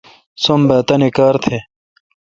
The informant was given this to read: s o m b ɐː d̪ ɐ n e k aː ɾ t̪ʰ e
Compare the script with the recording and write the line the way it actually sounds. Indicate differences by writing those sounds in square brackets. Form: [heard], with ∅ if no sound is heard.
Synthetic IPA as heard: s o m b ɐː [t̪] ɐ n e k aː ɾ t̪ʰ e

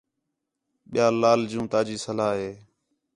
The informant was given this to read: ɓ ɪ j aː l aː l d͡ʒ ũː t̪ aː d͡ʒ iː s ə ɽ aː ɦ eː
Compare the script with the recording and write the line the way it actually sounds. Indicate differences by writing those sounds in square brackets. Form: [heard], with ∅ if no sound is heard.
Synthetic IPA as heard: ɓ ɪ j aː l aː l d͡ʒ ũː t̪ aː d͡ʒ iː s ə [l] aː ɦ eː

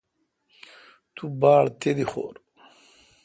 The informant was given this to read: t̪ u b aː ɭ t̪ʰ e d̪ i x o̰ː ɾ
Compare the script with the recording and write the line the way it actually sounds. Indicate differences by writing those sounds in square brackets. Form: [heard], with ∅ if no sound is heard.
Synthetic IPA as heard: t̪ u b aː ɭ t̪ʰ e d̪ i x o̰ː ɾ

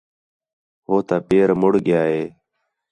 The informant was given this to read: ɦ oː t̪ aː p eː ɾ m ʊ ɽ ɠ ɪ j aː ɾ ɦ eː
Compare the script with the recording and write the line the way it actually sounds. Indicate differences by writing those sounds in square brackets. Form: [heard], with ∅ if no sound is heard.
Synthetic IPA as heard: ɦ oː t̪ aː p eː ɾ m ʊ ɽ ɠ ɪ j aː [∅] ɦ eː

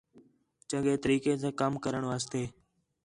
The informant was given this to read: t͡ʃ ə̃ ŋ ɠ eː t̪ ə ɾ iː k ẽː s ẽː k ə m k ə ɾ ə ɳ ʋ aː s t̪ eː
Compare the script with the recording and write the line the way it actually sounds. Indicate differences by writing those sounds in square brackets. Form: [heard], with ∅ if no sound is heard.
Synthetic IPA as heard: t͡ʃ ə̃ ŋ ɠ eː t̪ ə ɾ iː k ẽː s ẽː k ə m k ə ɾ ə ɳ ʋ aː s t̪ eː

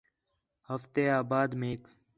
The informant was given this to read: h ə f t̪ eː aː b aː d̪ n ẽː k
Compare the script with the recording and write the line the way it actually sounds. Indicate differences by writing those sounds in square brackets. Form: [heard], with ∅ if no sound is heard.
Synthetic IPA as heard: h ə f t̪ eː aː b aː d̪ [m] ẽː k

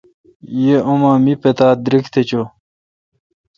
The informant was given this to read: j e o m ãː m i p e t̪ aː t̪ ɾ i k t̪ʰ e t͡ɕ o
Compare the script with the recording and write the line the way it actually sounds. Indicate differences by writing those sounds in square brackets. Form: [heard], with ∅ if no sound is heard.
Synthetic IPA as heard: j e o m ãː m i p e t̪ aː [d̪] ɾ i k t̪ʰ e t͡ɕ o

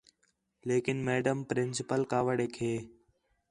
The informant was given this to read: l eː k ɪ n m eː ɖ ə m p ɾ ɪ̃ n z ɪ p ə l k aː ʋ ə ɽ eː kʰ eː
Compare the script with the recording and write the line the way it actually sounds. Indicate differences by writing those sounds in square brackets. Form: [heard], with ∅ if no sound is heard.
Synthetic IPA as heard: l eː k ɪ n m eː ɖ ə m p ɾ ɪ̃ n [s] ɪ p ə l k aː ʋ ə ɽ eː kʰ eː

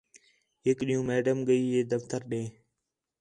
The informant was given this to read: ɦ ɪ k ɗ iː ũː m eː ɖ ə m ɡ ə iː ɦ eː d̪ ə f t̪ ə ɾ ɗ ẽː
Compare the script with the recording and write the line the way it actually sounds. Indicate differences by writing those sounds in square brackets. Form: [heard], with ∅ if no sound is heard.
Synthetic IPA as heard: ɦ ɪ k ɗ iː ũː m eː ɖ ə m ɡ ə iː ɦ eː d̪ ə f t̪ ə ɾ ɗ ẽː

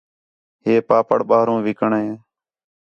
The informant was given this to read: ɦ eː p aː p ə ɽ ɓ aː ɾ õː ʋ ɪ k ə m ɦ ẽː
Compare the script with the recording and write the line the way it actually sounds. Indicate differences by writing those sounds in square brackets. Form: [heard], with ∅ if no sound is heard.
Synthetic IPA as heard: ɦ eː p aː p ə ɽ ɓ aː ɾ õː ʋ ɪ k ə [ɳ] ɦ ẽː

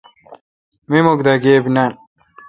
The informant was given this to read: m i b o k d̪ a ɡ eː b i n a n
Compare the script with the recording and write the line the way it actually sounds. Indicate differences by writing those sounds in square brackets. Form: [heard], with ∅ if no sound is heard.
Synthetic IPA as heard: m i [m] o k d̪ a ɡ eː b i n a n

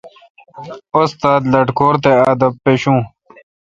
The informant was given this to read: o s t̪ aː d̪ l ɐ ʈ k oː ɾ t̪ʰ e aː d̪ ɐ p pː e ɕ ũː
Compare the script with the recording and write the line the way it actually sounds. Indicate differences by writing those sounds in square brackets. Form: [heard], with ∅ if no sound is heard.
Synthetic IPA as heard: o s t̪ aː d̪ l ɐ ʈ k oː ɾ [t̪] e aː d̪ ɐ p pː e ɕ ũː

